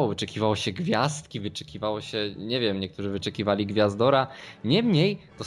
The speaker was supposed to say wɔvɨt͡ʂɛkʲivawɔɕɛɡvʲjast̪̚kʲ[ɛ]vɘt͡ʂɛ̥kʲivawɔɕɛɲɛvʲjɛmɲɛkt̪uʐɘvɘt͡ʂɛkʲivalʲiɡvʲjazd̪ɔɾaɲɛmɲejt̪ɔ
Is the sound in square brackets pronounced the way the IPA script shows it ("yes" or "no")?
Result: no